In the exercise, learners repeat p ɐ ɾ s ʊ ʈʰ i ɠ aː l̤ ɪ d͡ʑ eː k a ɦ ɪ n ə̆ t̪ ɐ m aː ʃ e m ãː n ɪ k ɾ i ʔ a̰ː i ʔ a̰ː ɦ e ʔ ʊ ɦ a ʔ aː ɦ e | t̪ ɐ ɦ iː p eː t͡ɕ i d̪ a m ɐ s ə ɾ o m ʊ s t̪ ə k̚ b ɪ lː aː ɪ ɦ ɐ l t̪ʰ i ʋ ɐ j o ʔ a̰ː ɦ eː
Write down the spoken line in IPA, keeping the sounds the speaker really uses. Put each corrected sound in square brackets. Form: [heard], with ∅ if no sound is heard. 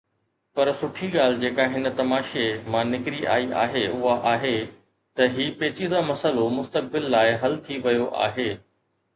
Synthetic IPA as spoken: p ɐ ɾ s ʊ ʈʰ i ɠ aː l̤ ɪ d͡ʑ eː k a ɦ ɪ n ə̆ t̪ ɐ m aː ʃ e m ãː n ɪ k ɾ i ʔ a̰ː i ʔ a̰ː ɦ e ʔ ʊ ɦ a ʔ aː ɦ e | t̪ ɐ ɦ iː p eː t͡ɕ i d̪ a m ɐ s ə [l] o m ʊ s t̪ ə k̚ b ɪ lː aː ɪ ɦ ɐ l t̪ʰ i ʋ ɐ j o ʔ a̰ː ɦ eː